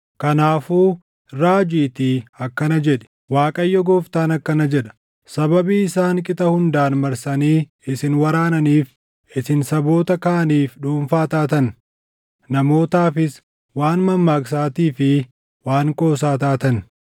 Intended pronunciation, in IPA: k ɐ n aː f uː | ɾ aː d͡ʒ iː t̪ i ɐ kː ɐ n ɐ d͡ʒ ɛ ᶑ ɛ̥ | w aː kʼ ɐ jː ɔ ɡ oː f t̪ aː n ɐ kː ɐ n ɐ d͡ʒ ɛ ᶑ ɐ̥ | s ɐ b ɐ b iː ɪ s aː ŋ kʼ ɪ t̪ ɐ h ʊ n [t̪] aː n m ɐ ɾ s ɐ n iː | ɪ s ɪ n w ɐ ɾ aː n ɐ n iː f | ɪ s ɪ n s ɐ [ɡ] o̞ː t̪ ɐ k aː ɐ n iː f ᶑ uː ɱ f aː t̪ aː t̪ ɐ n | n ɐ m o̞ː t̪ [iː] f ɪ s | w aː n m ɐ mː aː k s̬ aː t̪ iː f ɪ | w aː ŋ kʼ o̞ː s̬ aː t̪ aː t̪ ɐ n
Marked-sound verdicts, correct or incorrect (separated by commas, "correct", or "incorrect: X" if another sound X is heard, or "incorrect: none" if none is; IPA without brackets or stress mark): incorrect: d̪, incorrect: b, incorrect: aː